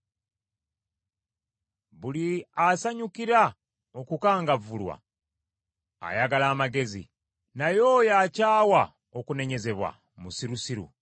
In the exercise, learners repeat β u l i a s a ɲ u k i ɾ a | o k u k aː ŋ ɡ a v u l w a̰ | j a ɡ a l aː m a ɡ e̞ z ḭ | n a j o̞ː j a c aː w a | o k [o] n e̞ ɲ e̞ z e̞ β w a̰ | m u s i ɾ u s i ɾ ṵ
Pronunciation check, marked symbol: incorrect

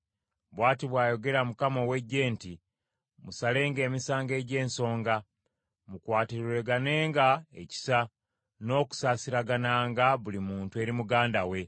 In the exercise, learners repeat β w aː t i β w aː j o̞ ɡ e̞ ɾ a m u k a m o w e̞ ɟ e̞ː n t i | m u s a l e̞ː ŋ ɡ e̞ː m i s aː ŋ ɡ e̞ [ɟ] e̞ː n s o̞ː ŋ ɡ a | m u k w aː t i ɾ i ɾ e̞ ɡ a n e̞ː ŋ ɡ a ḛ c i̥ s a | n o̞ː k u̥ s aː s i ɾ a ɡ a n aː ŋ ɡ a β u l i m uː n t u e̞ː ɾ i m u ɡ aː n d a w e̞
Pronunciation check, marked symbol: correct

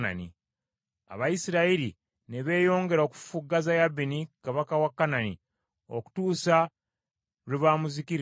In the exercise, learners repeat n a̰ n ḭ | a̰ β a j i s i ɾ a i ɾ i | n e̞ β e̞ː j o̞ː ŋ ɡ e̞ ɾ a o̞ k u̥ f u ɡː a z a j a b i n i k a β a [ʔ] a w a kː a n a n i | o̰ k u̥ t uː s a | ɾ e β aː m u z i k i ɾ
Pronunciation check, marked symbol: incorrect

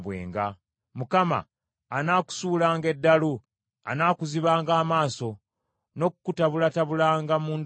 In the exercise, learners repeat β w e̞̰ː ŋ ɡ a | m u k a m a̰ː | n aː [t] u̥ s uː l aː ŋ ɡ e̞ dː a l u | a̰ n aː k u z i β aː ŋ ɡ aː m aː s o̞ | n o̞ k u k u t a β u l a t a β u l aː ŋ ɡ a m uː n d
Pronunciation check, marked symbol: incorrect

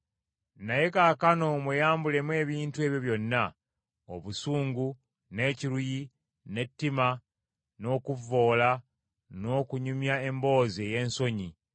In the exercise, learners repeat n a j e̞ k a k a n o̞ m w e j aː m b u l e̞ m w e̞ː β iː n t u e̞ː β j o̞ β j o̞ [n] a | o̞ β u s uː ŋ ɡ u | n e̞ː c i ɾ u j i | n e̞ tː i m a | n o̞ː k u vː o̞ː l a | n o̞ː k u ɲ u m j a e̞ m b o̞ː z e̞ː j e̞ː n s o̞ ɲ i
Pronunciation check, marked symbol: incorrect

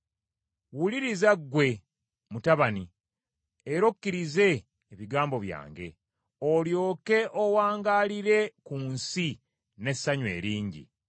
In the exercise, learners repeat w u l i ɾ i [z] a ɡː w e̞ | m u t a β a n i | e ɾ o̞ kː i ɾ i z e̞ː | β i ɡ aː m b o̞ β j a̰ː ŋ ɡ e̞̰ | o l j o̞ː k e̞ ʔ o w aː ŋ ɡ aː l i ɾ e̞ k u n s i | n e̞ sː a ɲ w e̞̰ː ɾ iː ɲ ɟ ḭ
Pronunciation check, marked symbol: correct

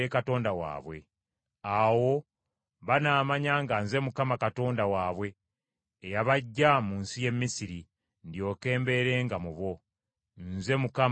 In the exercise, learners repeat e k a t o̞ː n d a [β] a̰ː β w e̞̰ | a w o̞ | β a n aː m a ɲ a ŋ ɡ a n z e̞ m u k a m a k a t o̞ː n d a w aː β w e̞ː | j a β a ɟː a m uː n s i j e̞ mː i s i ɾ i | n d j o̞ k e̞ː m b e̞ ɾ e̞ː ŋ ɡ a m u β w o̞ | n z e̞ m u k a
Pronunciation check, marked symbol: incorrect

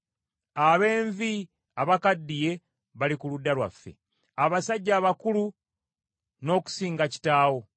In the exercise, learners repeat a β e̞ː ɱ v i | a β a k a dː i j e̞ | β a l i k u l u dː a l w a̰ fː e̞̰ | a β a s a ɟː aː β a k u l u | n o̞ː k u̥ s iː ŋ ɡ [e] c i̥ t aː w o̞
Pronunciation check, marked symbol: incorrect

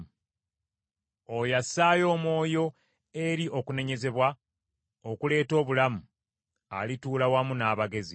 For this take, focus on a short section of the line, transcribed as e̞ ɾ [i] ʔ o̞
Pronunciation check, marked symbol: correct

